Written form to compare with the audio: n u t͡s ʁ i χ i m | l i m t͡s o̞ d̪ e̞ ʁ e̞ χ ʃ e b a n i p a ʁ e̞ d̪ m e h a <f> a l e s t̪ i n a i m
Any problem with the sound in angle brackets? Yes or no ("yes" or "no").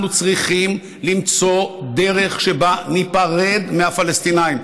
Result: no